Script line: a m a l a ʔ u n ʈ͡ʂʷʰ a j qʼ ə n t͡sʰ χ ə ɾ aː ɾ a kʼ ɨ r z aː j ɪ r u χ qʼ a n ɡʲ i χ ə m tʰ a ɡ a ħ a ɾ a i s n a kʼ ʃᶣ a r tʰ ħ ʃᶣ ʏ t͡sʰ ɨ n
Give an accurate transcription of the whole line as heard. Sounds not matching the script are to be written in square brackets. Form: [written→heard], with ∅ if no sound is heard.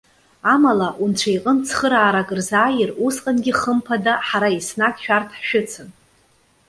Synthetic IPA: a m a l a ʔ u n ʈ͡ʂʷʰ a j qʼ ə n t͡sʰ χ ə ɾ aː ɾ a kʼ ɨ r z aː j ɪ r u [χ→s] qʼ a n ɡʲ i χ ə m [tʰ→pʰ] a [ɡ→d] a ħ a ɾ a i s n a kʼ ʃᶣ a r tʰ ħ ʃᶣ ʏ t͡sʰ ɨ n